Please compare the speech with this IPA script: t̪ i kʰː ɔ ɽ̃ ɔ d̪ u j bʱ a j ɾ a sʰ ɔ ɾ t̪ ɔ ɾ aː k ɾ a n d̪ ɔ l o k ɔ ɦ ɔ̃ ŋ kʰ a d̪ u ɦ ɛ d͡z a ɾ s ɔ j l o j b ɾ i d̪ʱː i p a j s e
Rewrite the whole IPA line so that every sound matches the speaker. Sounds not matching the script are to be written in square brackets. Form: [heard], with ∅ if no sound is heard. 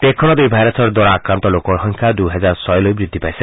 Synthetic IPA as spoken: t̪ [e] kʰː ɔ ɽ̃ ɔ d̪ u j bʱ a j ɾ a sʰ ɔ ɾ [d̪] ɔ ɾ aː k ɾ a n [t̪] ɔ l o k ɔ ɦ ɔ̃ ŋ kʰ a d̪ u ɦ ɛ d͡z a ɾ s ɔ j l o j b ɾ i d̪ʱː i p a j s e